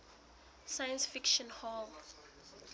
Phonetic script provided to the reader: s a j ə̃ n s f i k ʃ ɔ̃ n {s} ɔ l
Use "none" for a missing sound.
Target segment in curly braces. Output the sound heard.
h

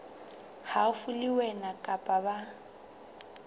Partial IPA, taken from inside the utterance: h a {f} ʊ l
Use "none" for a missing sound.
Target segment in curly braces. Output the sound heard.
f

